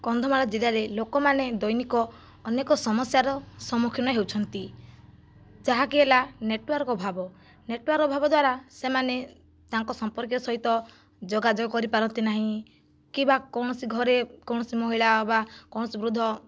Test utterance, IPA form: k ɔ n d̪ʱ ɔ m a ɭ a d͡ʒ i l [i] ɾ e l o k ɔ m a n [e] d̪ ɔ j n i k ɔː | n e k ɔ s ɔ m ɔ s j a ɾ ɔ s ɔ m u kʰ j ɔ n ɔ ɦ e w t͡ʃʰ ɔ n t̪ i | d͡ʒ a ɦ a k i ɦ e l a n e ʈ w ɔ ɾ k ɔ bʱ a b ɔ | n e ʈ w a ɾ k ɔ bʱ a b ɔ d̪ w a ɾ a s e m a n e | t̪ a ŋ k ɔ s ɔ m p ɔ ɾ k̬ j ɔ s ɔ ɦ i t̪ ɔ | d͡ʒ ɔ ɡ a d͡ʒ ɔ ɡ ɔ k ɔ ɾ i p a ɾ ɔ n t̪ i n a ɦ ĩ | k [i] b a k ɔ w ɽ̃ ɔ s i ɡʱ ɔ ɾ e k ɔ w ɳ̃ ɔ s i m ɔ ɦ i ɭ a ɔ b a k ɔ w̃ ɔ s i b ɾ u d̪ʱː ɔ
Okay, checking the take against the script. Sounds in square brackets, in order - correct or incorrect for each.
incorrect: a, correct, correct

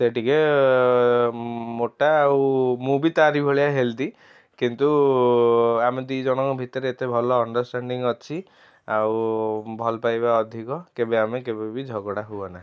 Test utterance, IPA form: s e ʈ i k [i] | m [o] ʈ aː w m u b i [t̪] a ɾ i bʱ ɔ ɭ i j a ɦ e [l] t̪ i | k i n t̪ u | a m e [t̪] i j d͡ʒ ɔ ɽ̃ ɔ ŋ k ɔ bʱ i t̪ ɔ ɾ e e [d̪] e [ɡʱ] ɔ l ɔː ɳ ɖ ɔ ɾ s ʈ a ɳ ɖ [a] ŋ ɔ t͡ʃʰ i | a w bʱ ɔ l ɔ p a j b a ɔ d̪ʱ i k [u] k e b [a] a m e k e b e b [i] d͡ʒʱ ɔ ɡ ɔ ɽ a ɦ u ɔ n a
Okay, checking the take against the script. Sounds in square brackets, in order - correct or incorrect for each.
incorrect: e, correct, correct, correct, incorrect: d̪, incorrect: t̪, incorrect: bʱ, incorrect: i, incorrect: ɔ, incorrect: e, correct

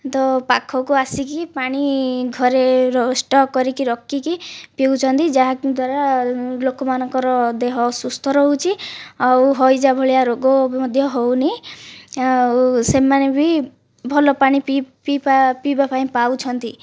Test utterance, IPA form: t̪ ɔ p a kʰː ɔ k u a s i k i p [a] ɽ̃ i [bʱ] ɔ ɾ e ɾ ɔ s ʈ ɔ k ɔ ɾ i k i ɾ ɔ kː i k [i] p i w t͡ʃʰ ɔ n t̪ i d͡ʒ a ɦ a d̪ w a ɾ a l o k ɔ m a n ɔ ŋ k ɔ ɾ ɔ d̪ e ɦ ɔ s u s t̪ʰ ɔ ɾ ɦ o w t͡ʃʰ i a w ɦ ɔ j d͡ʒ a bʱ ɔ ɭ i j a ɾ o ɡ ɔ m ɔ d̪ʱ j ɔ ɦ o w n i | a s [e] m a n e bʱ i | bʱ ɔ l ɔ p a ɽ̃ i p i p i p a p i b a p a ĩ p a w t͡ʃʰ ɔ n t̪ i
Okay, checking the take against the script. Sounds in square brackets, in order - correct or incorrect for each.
correct, incorrect: ɡʱ, correct, correct

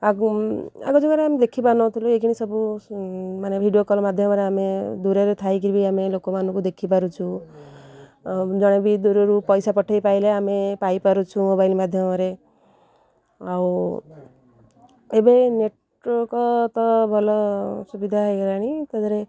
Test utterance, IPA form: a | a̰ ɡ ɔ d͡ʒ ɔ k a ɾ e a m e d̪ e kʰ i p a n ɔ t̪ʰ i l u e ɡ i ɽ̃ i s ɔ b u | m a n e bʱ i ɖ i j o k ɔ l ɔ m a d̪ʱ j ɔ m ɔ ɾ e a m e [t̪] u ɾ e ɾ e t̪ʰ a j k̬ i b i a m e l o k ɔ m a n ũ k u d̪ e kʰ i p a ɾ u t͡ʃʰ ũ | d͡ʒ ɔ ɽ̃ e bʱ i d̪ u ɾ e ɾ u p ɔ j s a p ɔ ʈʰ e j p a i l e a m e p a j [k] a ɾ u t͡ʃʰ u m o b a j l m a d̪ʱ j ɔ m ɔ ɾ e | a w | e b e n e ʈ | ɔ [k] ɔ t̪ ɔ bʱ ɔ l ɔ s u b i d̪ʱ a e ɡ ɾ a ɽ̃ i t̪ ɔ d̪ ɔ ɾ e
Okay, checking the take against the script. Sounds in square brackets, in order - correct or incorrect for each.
incorrect: d̪, incorrect: p, correct

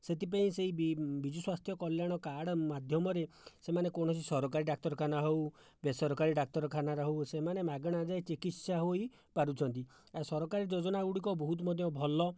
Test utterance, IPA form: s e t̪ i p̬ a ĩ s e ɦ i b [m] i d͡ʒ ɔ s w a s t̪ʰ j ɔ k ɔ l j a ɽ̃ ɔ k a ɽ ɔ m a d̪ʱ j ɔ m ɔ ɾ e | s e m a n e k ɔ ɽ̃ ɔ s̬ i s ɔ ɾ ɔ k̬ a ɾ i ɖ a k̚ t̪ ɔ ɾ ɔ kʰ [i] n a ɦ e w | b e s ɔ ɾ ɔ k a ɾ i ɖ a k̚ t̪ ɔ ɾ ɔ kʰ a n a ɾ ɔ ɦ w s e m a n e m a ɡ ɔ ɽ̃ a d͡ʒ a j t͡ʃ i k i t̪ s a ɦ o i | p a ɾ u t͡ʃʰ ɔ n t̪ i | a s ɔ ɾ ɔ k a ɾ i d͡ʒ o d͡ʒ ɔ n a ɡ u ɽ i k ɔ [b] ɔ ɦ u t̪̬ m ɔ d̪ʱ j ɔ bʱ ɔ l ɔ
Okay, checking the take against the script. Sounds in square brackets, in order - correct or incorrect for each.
incorrect: b, incorrect: a, correct

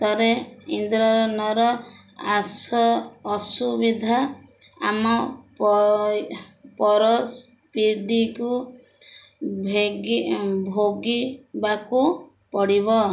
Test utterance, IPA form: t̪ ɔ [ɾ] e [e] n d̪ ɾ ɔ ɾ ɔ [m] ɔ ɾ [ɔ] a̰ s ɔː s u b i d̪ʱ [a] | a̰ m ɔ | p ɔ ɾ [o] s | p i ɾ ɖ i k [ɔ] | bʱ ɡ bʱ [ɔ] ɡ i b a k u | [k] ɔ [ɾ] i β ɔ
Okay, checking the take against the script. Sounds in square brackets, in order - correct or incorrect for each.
correct, incorrect: i, incorrect: n, correct, correct, incorrect: ɔ, incorrect: u, incorrect: o, incorrect: p, incorrect: ɽ

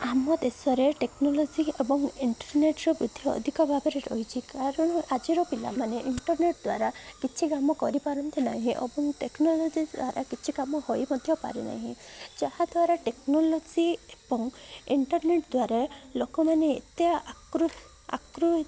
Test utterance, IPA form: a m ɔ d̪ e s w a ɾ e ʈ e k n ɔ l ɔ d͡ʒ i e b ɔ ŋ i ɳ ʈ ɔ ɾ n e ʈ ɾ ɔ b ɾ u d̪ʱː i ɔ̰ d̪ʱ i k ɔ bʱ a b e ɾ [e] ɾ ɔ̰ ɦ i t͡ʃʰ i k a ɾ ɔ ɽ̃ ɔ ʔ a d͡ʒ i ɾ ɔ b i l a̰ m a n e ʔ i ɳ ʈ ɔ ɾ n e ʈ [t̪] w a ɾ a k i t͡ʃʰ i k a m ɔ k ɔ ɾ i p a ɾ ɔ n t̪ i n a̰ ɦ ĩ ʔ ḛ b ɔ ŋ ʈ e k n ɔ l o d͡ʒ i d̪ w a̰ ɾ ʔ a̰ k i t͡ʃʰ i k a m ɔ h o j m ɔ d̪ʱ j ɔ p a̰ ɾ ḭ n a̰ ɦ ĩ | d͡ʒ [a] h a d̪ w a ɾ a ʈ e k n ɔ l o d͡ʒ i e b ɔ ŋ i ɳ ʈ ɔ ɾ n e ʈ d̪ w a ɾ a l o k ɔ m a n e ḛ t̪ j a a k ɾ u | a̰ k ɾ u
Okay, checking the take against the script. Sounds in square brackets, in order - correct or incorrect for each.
correct, incorrect: d̪, correct

